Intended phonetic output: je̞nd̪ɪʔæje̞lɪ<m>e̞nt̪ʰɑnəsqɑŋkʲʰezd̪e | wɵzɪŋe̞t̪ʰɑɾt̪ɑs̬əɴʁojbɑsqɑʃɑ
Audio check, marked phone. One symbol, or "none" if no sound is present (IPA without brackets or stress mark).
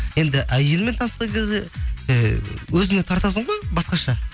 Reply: m